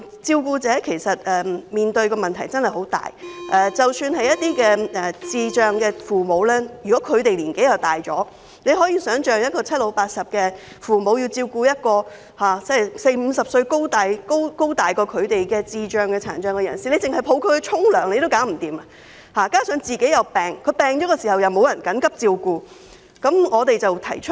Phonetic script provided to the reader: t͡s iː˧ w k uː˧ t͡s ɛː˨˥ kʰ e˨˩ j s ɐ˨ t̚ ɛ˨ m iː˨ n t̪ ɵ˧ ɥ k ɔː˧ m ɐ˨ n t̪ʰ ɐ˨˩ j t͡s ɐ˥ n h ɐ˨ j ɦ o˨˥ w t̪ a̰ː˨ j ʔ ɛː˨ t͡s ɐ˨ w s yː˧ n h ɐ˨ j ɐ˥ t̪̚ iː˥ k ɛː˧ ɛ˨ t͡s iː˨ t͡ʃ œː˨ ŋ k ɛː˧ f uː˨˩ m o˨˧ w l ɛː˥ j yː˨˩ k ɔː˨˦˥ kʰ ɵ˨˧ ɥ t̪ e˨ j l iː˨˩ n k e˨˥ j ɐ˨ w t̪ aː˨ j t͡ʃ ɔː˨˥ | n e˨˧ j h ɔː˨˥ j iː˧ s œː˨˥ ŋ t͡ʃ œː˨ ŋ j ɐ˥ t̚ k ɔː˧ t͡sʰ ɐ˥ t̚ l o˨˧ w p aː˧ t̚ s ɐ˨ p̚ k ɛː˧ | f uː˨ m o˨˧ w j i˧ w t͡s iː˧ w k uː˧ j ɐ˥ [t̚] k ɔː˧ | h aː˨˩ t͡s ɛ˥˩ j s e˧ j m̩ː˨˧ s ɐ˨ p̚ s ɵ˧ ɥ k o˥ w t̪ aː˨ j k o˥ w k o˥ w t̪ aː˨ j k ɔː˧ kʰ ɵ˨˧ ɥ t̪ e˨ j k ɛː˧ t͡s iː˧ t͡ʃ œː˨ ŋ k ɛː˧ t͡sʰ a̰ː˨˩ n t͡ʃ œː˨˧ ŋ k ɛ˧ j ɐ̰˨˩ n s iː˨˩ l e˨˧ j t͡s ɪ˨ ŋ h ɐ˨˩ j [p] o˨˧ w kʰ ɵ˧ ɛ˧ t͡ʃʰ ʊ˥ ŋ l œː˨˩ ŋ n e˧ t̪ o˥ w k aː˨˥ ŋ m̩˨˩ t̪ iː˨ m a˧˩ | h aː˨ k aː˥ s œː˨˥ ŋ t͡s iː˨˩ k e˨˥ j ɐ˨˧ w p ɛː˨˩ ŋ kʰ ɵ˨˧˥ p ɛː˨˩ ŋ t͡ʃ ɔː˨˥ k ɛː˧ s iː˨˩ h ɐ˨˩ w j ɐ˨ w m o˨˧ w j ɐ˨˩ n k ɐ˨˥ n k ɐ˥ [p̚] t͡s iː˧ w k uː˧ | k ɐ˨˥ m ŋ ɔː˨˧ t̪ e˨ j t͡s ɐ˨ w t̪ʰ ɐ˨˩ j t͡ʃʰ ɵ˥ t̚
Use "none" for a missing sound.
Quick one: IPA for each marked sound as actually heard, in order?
t̚, pʰ, p̚

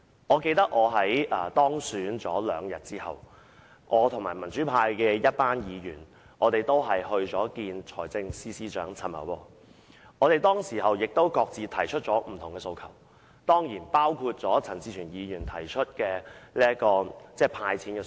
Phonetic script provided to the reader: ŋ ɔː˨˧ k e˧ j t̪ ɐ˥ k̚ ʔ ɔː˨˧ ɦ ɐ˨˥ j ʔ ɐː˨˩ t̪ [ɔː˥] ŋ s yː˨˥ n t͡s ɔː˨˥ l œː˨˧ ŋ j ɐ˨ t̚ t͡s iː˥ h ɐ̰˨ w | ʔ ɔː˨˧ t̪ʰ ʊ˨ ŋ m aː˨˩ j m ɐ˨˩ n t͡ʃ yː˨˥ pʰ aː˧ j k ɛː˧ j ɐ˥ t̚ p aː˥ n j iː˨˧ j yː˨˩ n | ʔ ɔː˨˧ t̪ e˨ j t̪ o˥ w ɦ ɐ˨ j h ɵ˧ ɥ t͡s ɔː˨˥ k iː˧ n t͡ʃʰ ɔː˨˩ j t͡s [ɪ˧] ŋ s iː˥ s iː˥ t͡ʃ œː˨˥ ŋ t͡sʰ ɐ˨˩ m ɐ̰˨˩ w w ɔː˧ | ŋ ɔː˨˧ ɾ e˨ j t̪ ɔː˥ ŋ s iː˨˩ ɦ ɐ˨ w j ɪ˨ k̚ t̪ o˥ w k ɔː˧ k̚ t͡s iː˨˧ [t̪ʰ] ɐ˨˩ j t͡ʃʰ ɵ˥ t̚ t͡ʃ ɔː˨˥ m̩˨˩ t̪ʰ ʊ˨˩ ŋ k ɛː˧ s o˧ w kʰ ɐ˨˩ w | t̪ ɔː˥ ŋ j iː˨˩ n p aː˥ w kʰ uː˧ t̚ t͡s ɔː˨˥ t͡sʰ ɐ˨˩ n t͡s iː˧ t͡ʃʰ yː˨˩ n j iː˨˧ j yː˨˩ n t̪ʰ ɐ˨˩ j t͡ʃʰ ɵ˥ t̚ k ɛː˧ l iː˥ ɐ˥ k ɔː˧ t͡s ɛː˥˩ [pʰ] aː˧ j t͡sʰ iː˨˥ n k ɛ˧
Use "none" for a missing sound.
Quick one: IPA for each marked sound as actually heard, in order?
ɔː˥, ɪ˧, t̪ʰ, pʰ

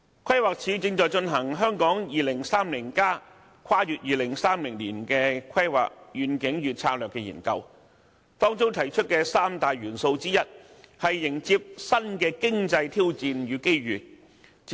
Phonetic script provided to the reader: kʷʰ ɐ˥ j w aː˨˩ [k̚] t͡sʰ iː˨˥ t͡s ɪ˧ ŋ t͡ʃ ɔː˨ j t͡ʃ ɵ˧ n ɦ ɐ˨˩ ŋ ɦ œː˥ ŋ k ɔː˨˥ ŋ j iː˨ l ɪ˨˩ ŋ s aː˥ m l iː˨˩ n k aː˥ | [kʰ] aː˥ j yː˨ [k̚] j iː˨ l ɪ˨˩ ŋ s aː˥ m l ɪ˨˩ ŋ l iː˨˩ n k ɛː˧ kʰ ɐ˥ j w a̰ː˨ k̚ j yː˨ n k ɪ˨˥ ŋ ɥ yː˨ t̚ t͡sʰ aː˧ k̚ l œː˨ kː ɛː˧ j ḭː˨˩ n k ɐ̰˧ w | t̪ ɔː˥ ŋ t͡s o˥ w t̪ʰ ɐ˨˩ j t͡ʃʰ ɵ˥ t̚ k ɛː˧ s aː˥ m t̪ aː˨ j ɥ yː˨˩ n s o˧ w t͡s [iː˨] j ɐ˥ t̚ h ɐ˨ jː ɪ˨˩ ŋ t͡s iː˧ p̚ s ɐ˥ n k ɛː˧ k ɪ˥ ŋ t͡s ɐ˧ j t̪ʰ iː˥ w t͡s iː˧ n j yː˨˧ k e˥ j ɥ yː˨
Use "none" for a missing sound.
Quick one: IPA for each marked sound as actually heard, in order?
k̚, kʰ, t̚, iː˥

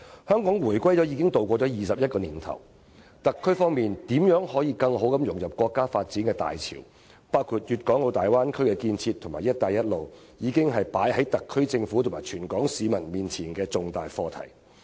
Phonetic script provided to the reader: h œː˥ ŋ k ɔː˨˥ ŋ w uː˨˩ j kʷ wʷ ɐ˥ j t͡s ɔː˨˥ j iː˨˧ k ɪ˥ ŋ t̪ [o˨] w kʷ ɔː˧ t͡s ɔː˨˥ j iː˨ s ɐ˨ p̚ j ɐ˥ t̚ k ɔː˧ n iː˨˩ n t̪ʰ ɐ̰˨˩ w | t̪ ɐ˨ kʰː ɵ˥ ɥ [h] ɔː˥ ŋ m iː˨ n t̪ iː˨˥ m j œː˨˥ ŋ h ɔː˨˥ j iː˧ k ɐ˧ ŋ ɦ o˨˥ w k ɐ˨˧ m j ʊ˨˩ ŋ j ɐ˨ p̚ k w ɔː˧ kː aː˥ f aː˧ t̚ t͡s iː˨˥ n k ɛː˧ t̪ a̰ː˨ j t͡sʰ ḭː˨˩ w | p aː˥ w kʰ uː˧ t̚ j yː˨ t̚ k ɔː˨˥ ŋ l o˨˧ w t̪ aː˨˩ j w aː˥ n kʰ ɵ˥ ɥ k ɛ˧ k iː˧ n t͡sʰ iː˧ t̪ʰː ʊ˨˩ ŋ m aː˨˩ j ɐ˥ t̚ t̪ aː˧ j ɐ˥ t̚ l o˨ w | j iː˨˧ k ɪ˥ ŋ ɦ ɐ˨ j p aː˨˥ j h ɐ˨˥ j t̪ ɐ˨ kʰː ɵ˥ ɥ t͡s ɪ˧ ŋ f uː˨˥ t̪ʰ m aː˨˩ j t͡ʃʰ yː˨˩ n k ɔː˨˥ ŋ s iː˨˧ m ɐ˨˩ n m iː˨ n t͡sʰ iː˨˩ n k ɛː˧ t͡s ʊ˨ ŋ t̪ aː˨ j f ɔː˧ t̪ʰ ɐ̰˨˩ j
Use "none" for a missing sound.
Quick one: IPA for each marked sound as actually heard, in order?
o˨, f

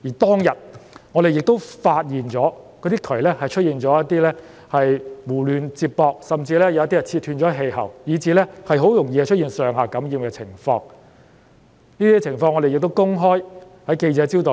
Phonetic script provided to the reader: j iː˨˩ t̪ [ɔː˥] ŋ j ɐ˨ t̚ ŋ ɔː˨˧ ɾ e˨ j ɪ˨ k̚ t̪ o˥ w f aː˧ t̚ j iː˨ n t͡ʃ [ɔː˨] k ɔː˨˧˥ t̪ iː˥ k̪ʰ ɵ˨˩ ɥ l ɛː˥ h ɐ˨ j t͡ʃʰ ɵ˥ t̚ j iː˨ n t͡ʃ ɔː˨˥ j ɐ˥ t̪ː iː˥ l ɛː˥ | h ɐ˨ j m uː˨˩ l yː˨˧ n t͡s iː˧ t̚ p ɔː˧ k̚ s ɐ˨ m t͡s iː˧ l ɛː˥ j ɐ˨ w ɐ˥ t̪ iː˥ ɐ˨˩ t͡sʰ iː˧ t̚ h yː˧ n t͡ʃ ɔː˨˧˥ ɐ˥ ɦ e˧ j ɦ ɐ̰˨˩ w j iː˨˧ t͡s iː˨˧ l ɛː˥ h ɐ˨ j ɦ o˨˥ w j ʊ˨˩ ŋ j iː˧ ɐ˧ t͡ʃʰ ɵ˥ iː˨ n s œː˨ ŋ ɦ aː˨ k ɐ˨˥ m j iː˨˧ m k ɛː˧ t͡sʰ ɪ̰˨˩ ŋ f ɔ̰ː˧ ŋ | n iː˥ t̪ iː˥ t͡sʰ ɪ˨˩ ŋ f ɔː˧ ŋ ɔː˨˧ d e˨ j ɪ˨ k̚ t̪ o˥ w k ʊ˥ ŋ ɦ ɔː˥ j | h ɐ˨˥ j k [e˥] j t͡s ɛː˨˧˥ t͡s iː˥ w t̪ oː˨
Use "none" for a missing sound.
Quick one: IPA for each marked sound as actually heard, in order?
ɔː˥, ɔː˨˥, e˧

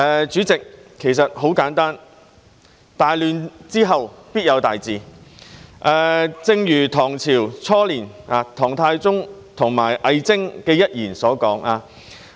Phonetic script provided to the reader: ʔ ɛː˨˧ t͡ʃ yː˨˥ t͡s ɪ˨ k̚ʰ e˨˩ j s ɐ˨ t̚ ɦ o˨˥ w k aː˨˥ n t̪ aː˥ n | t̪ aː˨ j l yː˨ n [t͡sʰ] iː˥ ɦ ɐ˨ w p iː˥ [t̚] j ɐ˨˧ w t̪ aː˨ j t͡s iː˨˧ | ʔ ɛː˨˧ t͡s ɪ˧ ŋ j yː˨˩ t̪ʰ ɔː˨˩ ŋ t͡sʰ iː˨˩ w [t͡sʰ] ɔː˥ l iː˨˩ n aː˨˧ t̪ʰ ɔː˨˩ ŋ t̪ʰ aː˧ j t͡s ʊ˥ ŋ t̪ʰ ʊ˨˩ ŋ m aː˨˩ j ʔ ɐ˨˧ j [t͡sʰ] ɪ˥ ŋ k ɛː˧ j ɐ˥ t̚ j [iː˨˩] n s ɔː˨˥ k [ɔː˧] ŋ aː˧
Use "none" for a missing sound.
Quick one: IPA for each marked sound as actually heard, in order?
t͡s, t̚, t͡sʰ, t͡s, iː˨˩, ɔː˨˥

